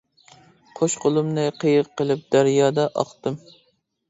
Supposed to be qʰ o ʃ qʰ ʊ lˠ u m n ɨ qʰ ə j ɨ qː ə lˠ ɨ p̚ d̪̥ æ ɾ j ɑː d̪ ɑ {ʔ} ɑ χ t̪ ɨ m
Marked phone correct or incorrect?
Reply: correct